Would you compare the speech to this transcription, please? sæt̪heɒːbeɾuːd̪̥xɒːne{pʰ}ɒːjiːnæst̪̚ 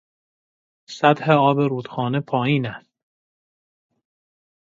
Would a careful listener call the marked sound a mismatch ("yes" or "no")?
no